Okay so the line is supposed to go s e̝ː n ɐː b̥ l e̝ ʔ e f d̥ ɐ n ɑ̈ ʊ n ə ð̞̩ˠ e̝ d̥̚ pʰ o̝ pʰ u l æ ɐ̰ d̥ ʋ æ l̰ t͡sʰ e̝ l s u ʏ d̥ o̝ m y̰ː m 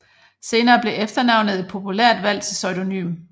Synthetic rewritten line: s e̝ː n ɐː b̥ l e̝ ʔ e f d̥ ɐ n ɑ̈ ʊ n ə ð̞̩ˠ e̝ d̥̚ pʰ o̝ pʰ u l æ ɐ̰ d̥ ʋ æ l̰ t͡sʰ e̝ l s ɒ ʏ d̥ o̝ n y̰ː m